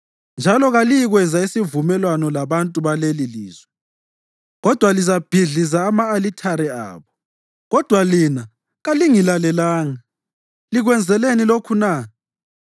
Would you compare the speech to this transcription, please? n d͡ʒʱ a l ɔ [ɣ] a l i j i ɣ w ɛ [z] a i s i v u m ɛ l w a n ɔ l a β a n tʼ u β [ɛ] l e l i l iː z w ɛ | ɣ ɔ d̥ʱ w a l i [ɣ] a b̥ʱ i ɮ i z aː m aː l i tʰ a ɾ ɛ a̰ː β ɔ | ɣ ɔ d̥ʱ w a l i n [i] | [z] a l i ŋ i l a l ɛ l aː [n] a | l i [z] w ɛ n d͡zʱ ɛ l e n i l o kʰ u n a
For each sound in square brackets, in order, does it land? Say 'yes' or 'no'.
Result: yes, yes, no, no, no, no, no, no

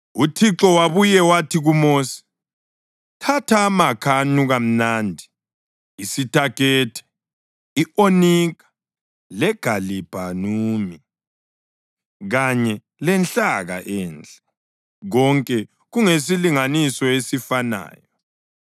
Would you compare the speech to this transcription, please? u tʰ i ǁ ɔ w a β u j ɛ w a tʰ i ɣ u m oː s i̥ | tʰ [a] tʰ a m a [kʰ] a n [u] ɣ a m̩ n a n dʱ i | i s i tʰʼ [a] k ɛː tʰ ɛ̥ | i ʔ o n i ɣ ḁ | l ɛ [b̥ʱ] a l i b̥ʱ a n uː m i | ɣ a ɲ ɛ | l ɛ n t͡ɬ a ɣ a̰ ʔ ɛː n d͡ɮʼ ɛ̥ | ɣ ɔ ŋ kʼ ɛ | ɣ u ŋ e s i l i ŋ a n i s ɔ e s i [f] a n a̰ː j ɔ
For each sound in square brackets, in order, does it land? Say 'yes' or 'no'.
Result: yes, yes, yes, yes, no, yes

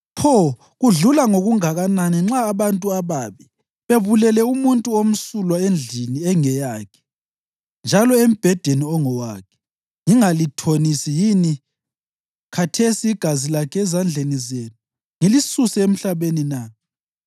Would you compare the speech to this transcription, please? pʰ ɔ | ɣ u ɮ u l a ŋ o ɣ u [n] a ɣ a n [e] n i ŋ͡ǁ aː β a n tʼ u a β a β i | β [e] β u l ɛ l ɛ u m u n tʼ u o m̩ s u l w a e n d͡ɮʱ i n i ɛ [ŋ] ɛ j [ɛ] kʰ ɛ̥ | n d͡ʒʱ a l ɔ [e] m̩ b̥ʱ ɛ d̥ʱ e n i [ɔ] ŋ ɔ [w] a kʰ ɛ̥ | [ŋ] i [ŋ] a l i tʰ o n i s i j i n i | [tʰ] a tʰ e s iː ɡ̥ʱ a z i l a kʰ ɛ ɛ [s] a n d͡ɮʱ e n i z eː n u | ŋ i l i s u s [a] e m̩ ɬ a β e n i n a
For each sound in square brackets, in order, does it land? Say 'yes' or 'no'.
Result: no, no, yes, yes, no, yes, yes, yes, yes, yes, no, no, no

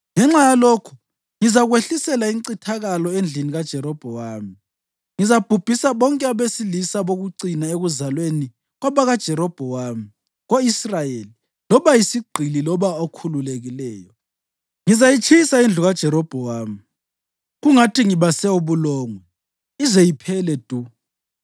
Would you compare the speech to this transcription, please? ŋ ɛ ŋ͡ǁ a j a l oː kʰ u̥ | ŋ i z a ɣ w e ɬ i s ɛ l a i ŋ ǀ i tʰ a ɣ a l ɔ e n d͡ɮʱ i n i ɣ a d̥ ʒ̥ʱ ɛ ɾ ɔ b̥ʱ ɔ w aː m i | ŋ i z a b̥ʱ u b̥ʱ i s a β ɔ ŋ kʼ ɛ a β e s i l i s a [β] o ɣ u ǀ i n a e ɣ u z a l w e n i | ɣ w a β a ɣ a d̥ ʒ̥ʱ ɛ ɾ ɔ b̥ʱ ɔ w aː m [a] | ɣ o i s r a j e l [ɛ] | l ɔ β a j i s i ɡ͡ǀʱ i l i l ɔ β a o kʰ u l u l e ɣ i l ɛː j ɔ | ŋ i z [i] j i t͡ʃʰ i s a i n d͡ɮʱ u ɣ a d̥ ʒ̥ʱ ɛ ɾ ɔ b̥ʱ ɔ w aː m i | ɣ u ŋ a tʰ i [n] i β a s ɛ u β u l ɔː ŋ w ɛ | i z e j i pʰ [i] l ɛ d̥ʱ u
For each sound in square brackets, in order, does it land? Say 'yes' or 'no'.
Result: yes, no, no, no, no, no

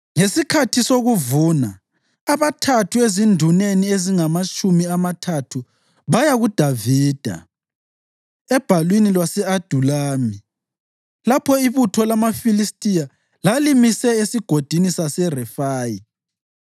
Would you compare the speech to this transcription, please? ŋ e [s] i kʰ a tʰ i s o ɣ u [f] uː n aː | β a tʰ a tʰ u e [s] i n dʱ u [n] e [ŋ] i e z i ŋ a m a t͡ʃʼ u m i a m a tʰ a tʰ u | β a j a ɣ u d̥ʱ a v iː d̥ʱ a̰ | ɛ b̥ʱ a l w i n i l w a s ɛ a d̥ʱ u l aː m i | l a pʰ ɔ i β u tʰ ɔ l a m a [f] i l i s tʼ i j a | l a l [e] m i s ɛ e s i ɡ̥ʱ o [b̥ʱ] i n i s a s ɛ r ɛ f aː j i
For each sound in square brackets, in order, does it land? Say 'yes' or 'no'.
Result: yes, no, no, yes, no, yes, no, no

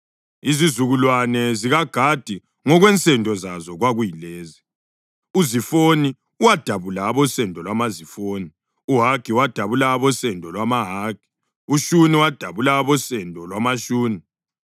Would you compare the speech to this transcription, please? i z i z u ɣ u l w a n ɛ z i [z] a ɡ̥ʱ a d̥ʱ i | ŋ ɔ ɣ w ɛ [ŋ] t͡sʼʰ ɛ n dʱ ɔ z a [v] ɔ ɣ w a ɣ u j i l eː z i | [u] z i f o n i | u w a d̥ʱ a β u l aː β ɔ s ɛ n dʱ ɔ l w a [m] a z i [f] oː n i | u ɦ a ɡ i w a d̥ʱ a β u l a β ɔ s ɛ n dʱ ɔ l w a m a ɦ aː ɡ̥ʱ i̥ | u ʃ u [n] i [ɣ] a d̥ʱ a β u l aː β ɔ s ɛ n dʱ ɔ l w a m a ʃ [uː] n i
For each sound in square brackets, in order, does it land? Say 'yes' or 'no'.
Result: no, no, no, yes, yes, yes, yes, no, yes

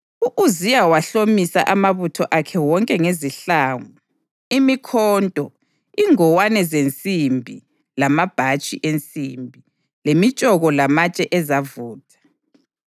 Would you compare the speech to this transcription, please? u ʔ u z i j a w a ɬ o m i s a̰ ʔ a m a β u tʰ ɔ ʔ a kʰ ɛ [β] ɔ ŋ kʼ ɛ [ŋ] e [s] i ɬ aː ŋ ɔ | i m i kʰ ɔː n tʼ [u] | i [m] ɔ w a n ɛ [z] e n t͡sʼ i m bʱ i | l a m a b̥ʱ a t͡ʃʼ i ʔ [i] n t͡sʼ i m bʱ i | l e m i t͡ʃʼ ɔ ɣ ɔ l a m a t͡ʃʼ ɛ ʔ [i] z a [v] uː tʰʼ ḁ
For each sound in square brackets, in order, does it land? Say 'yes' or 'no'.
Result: no, yes, no, no, no, yes, no, no, yes

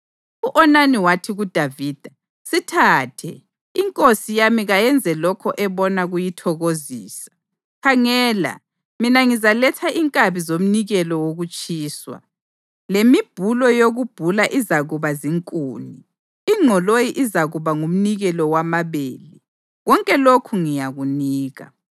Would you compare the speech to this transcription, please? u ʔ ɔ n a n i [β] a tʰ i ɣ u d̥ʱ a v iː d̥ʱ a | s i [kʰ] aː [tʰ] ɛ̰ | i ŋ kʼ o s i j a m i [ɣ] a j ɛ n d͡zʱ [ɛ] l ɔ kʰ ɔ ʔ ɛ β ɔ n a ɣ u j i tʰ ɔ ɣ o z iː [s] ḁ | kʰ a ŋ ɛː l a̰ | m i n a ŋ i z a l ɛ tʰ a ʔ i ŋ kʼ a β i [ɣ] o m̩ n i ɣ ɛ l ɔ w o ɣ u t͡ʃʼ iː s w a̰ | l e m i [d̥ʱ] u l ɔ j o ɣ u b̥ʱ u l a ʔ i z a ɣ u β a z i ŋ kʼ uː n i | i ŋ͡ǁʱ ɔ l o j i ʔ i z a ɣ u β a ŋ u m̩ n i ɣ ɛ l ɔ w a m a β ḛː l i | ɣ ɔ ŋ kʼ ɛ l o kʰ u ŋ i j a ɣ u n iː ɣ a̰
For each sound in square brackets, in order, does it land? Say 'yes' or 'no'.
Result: no, no, yes, yes, yes, yes, no, no

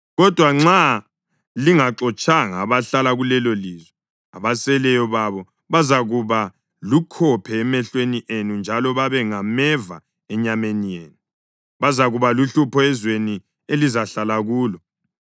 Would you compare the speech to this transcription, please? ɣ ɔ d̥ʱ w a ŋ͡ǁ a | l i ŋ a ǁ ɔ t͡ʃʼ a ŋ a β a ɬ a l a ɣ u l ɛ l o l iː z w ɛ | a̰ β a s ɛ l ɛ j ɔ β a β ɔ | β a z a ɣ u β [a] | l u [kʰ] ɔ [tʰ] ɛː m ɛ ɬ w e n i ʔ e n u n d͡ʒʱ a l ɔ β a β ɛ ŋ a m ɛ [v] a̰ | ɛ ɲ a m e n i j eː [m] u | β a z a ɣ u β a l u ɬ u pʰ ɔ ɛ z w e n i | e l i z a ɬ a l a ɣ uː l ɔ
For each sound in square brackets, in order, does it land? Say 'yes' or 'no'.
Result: yes, yes, no, yes, no

